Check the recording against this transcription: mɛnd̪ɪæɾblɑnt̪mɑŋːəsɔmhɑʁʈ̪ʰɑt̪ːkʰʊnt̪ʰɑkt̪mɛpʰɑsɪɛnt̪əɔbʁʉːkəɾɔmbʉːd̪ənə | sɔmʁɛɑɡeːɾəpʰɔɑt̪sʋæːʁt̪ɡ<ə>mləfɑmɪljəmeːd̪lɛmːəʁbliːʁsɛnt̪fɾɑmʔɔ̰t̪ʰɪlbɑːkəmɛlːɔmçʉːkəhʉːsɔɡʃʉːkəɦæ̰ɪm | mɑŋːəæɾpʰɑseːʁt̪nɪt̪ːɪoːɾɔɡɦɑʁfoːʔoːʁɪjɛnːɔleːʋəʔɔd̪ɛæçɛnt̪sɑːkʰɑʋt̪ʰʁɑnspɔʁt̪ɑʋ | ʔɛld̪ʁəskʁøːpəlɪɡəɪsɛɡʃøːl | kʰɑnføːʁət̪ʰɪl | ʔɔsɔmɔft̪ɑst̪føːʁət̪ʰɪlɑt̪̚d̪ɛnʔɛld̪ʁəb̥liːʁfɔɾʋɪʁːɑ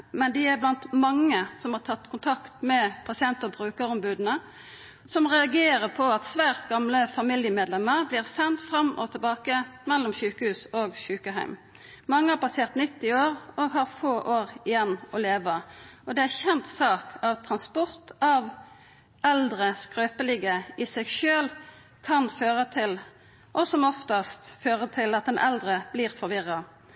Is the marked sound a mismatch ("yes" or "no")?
yes